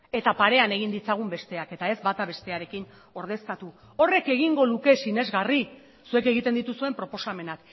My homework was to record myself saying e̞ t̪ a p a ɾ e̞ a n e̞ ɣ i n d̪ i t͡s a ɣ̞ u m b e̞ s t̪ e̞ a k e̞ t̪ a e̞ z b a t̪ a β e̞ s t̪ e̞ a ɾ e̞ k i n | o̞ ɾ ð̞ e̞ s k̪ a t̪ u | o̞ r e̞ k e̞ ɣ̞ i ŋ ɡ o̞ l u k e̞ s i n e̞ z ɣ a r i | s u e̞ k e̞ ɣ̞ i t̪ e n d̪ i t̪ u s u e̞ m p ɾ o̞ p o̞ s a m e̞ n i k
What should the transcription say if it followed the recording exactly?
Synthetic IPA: e̞ t̪ a p a ɾ e̞ a n e̞ ɣ i n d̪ i t͡s a ɣ̞ u m b e̞ s t̪ e̞ a k e̞ t̪ a e̞ z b a t̪ a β e̞ s t̪ e̞ a ɾ e̞ k i n | o̞ ɾ ð̞ e̞ s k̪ a t̪ u | o̞ r e̞ k e̞ ɣ̞ i ŋ ɡ o̞ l u k e̞ s i n e̞ z ɣ a r i | s u e̞ k e̞ ɣ̞ i t̪ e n d̪ i t̪ u s u e̞ m p ɾ o̞ p o̞ s a m e̞ n a k